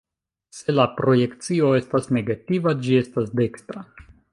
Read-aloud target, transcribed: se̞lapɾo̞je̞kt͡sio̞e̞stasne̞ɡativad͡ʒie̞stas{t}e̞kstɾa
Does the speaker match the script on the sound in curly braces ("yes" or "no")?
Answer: no